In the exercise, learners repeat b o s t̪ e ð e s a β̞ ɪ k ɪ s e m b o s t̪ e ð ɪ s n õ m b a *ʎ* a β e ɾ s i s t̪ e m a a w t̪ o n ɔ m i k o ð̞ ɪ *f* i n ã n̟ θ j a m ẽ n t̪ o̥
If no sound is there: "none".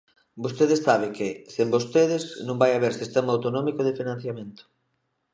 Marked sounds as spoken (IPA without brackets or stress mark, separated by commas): j, f